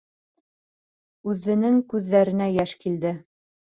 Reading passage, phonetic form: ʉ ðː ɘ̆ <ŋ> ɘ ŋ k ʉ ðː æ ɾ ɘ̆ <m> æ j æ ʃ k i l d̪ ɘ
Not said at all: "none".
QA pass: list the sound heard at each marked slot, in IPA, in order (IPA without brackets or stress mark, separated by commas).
n, n